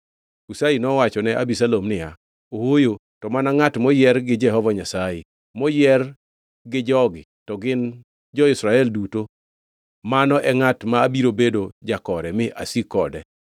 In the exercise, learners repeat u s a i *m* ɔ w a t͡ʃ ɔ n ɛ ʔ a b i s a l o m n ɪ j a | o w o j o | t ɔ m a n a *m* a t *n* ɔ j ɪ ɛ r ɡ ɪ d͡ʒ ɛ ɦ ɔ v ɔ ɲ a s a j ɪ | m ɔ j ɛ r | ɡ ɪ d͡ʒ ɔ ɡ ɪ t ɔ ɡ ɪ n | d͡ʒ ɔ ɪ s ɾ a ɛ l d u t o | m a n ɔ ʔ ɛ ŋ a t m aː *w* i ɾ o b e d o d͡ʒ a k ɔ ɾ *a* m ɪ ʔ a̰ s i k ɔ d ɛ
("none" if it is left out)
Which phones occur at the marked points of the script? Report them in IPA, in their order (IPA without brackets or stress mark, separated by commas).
n, ŋ, m, b, ɛ